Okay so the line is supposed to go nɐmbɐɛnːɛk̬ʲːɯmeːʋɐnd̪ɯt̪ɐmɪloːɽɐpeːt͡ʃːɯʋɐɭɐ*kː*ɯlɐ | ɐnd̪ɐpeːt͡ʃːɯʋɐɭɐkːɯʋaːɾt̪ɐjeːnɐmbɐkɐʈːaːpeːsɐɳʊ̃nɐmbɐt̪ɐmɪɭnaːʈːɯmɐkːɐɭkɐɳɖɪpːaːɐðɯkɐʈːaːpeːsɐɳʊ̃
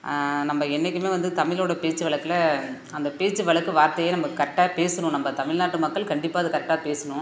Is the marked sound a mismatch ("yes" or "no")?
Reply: no